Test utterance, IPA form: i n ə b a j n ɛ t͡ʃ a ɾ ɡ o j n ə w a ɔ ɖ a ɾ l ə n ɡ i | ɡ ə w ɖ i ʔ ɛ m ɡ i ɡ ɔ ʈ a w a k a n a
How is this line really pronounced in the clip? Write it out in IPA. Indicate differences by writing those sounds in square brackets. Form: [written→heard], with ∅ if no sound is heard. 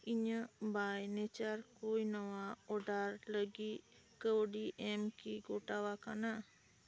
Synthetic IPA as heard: i [n→ɲ] ə b a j n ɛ t͡ʃ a ɾ [ɡ→k] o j n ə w a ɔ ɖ a ɾ l ə [n→∅] ɡ i | [ɡ→k] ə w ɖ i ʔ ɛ m [ɡ→k] i ɡ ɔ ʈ a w a k a n a